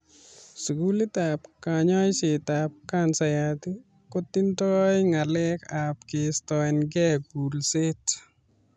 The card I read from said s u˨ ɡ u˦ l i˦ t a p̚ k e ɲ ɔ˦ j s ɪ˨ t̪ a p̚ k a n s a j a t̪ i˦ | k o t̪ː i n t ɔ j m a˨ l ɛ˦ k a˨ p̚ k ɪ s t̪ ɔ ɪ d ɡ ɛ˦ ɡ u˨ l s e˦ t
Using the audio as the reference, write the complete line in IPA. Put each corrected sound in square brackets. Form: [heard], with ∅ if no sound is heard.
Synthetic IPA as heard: s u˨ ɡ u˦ l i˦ t a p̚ k [a] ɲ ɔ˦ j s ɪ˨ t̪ a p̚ k a n s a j a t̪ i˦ | k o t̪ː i n t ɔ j [ŋ] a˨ l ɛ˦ k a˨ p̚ k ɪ s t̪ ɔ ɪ [n] ɡ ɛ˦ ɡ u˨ l s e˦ t

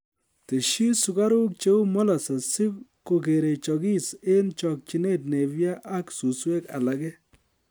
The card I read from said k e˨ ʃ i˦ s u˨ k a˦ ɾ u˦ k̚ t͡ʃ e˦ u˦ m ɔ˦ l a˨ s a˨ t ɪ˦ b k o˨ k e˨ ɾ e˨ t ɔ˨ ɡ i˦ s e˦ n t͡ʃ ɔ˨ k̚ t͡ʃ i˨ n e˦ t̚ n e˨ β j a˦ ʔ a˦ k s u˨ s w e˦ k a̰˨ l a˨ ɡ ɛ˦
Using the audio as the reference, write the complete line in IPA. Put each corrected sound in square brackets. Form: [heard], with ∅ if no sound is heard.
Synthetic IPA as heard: [t] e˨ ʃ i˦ s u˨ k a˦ ɾ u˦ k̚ t͡ʃ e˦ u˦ m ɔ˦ l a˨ s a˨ [s] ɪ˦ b k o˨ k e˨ ɾ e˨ [t͡ʃ] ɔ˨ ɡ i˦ s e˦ n t͡ʃ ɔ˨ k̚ t͡ʃ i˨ n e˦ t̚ n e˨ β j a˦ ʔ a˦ k s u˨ s w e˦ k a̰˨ l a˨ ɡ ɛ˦

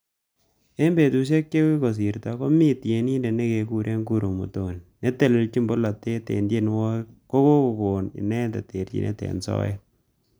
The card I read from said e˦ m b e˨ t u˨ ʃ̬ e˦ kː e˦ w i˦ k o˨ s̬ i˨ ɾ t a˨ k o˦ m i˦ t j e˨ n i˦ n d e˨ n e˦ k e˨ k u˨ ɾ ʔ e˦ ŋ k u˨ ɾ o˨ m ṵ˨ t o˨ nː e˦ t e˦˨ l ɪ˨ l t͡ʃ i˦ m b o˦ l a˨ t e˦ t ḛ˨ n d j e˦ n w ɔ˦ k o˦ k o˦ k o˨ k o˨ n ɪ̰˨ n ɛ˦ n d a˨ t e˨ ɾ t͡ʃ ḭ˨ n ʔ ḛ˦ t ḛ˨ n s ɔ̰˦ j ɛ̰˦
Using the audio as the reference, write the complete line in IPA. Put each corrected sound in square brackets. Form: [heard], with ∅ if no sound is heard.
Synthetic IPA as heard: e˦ m b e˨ t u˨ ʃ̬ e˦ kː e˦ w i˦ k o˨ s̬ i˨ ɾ t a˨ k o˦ m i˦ t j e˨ n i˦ n d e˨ n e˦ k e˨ k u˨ ɾ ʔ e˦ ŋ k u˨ ɾ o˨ m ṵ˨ t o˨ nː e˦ t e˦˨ l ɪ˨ l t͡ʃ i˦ m b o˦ l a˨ t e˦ t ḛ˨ n d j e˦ n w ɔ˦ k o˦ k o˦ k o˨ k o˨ n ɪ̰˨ n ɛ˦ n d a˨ t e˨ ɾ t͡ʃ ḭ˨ n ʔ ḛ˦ t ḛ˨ n s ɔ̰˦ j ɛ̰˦

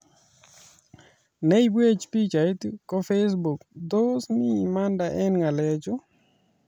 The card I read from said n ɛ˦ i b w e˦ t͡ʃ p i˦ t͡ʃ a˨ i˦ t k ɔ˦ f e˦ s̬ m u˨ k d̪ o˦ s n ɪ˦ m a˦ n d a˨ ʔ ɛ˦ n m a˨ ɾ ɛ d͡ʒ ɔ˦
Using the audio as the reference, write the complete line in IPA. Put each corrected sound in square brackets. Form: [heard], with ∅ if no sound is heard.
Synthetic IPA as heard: n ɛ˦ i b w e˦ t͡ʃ p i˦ t͡ʃ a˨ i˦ t k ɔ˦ f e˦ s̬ [b] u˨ k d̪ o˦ s n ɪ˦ m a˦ n d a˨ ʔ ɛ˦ n [ŋ] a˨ [l] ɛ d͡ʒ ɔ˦

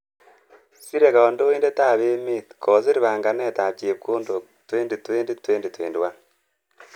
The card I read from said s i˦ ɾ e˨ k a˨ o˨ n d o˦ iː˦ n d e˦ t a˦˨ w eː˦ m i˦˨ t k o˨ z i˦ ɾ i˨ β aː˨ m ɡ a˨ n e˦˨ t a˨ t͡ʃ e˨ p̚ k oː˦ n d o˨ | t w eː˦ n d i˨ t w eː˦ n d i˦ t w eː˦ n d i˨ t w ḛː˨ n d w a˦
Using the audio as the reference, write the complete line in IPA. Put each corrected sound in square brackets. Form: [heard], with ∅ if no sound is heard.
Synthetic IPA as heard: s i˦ ɾ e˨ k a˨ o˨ n d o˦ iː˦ n d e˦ t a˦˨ [β] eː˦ m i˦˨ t k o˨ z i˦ ɾ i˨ β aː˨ [ŋ] ɡ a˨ n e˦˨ t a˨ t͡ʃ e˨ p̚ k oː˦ n d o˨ | t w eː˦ n d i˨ t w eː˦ n d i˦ t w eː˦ n d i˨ t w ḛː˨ n d w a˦

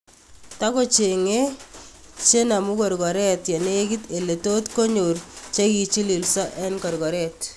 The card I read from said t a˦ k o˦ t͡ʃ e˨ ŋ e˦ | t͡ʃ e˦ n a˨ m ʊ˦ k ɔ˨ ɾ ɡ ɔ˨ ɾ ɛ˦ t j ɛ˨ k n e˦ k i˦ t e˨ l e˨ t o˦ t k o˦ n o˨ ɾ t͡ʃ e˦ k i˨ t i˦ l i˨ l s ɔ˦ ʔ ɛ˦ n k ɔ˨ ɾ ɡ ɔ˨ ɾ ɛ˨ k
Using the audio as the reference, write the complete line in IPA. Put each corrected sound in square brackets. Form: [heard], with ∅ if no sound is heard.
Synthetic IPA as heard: t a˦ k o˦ t͡ʃ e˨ ŋ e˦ | t͡ʃ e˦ n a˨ m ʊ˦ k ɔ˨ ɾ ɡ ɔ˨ ɾ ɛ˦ t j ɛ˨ [∅] n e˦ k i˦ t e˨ l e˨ t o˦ t k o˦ [ɲ] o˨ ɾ t͡ʃ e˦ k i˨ [t͡ʃ] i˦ l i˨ l s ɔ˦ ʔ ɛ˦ n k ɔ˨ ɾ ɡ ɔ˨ ɾ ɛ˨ [t]

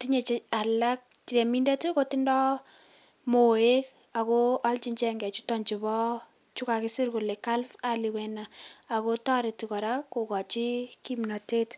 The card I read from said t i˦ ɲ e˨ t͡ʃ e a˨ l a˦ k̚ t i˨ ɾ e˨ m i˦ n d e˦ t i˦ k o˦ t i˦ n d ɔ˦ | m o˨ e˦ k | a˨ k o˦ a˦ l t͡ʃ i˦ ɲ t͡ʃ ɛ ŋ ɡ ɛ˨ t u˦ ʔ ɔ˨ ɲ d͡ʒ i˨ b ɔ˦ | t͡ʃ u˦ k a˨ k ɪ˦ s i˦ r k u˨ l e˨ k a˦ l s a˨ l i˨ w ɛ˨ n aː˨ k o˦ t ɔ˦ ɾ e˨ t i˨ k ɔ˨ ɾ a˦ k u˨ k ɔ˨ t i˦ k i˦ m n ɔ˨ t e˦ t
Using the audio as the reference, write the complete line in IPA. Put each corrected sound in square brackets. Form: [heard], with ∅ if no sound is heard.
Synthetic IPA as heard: t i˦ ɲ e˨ t͡ʃ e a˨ l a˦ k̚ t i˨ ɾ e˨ m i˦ n d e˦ t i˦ k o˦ t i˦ n d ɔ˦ | m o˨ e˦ k | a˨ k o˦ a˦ l t͡ʃ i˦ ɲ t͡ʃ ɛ ŋ ɡ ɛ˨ [t͡ʃ] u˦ [t] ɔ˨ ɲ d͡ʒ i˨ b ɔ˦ | t͡ʃ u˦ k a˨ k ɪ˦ s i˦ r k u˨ l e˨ k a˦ l [f] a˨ l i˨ w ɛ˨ n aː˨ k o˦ t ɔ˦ ɾ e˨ t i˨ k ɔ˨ ɾ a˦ k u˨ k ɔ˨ [t͡ʃ] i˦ k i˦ m n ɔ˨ t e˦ t

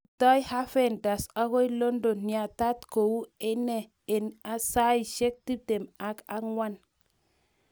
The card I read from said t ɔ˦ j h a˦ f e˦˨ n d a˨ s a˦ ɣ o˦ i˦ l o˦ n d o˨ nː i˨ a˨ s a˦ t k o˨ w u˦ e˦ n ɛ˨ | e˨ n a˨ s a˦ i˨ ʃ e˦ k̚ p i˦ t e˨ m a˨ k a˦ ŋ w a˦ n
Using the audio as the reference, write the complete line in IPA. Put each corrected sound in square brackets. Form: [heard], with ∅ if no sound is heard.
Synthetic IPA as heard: t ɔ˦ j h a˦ f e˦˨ n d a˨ s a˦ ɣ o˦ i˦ l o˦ n d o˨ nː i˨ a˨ [t] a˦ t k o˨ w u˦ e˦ n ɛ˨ | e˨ n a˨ s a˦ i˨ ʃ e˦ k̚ [t] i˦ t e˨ m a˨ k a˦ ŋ w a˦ n

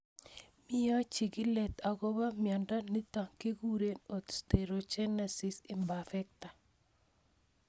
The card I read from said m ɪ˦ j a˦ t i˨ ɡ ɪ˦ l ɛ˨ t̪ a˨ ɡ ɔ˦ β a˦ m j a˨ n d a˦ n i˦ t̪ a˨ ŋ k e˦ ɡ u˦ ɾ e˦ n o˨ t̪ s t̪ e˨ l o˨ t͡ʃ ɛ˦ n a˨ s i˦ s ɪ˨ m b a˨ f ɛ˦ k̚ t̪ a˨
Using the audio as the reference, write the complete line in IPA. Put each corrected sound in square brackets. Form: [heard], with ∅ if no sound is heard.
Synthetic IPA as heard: m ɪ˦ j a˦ [t͡ʃ] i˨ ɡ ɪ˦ l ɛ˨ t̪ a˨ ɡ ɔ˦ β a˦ m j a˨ n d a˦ n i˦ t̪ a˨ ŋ k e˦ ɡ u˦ ɾ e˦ n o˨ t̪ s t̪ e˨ [ɾ] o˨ t͡ʃ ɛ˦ n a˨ s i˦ s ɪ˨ m b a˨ f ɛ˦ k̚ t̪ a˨

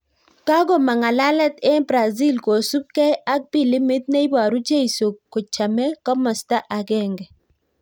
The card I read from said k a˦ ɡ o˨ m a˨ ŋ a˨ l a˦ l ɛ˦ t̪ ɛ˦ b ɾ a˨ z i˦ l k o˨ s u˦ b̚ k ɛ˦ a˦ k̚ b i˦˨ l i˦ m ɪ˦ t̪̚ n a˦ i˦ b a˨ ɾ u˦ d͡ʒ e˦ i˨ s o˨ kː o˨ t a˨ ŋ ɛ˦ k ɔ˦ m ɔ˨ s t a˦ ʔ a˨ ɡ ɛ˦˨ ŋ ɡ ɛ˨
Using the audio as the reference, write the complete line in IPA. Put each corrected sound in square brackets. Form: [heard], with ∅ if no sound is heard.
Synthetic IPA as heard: k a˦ ɡ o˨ m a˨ ŋ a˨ l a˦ l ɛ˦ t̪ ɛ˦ b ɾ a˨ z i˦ l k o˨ s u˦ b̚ k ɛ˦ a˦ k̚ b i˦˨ l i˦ m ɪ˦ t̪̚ n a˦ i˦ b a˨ ɾ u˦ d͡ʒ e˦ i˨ s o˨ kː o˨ [t͡ʃ] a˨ [m] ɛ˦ k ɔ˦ m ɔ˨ s t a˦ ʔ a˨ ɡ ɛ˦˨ ŋ ɡ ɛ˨

